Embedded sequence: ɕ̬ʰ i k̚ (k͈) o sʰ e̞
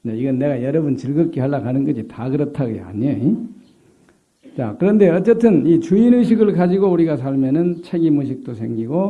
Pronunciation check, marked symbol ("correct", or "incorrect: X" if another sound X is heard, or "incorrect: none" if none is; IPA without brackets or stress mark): incorrect: t͈